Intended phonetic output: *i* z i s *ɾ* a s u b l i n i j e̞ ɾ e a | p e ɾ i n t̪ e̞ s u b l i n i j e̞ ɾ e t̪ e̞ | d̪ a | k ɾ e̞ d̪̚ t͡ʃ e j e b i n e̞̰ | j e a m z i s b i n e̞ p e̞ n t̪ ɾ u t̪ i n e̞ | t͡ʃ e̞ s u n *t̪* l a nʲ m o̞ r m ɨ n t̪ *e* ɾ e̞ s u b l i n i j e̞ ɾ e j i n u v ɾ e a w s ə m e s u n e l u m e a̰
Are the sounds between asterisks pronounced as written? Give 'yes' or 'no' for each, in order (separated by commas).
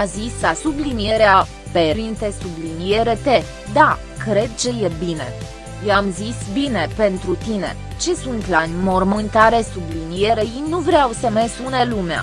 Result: no, no, yes, no